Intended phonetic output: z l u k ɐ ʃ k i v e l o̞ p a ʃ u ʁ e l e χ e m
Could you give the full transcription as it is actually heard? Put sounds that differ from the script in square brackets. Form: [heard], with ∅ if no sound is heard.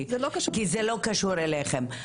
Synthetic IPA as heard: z l [o] k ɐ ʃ k i [z] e l o̞ [k] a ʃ u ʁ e l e χ e m